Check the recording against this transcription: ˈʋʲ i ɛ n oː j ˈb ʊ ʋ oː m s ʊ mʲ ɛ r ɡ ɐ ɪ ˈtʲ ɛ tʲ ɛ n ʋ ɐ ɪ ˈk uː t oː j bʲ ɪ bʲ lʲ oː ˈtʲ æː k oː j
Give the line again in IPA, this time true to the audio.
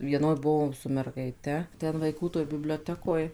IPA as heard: ˈʋʲ i ɛ n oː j ˈb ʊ ʋ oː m s ʊ mʲ ɛ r ɡ ɐ ɪ ˈtʲ ɛ tʲ ɛ n ʋ ɐ ɪ ˈk uː t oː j bʲ ɪ bʲ lʲ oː ˈtʲ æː k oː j